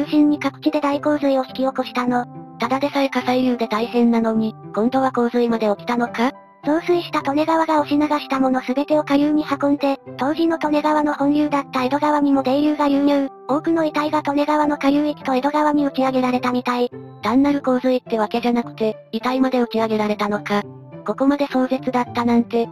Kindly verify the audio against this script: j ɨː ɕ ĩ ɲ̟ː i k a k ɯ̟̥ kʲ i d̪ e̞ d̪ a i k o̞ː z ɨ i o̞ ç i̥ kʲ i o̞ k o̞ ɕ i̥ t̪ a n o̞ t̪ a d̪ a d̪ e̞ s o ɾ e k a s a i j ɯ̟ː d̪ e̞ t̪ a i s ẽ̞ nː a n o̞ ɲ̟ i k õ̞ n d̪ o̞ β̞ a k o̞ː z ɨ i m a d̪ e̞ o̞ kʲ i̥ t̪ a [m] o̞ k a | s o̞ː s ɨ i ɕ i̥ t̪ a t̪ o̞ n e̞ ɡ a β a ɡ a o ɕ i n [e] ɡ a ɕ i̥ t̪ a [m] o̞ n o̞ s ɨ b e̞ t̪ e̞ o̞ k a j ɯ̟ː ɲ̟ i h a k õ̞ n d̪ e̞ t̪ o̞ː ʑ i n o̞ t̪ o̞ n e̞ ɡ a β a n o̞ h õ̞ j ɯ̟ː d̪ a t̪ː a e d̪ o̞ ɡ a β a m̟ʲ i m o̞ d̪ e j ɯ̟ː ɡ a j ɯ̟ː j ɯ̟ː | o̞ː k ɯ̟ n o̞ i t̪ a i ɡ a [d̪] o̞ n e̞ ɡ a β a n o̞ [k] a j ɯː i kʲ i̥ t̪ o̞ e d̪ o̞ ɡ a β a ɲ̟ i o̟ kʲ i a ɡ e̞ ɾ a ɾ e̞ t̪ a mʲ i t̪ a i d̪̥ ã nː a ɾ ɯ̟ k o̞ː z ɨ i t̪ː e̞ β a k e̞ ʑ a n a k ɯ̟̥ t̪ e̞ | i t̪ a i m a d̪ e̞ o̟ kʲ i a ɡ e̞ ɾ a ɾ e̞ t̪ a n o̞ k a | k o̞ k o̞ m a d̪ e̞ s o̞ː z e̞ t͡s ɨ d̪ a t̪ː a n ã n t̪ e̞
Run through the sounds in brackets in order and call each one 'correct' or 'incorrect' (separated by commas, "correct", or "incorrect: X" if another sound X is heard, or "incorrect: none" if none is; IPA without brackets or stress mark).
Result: incorrect: n, incorrect: a, correct, incorrect: t̪, correct